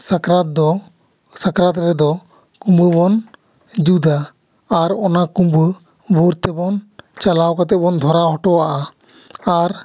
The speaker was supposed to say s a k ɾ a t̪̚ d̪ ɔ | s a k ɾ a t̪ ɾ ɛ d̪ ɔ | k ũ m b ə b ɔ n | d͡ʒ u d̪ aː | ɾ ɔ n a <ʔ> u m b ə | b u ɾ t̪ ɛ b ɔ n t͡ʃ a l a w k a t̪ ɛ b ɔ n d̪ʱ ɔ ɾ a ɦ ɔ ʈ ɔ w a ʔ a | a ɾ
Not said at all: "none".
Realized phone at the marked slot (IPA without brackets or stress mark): k